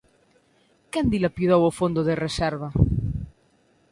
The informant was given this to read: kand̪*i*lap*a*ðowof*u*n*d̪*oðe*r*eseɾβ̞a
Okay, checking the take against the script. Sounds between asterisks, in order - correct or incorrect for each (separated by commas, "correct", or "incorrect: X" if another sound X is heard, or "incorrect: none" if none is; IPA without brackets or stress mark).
correct, incorrect: i, incorrect: o, correct, correct